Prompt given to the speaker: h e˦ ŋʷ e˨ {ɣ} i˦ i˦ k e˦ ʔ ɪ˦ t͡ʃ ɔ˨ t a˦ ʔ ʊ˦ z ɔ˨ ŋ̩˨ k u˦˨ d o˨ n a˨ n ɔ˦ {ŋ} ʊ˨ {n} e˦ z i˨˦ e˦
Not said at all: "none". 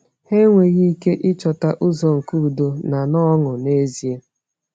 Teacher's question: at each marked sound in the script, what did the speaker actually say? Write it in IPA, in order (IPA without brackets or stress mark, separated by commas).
ɣ, ŋ, n